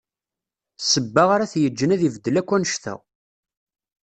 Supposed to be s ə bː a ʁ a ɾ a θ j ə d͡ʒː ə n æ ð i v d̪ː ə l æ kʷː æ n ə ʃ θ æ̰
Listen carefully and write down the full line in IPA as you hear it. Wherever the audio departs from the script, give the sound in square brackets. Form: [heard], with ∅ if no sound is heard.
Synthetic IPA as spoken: s ə bː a ʁ a ɾ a θ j ə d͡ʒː ə n æ ð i v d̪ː ə l æ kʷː æ n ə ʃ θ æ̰